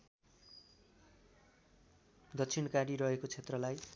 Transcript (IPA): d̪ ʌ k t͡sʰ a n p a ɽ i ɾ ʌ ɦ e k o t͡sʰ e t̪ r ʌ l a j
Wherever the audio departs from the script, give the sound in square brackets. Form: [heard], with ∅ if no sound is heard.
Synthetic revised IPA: d̪ ʌ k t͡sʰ [i] n [k] a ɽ i ɾ ʌ ɦ e k o t͡sʰ e t̪ r ʌ l a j